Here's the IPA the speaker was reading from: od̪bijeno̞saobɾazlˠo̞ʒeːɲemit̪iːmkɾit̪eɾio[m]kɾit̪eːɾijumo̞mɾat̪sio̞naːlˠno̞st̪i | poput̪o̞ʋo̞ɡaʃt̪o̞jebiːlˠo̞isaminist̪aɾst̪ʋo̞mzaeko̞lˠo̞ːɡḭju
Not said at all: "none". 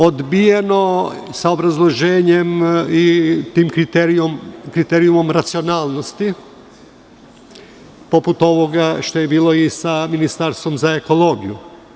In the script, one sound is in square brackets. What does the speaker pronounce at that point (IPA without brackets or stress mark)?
m